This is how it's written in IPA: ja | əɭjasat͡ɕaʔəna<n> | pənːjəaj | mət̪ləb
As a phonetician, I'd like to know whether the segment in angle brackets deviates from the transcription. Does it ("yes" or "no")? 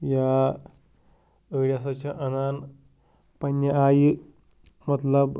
no